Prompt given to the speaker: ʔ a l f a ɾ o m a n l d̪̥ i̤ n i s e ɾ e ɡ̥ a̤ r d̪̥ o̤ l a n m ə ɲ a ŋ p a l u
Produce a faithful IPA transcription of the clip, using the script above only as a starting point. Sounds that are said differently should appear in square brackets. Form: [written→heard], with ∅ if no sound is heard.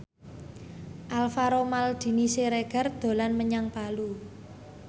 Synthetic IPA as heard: ʔ a l f a ɾ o m a [n→∅] l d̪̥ i̤ n i s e ɾ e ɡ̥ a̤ r d̪̥ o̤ l a n m ə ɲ a ŋ p a l u